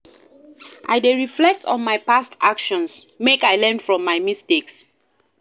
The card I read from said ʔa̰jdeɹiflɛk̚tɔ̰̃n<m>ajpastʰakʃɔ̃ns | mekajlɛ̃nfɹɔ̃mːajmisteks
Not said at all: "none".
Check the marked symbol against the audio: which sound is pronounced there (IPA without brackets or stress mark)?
m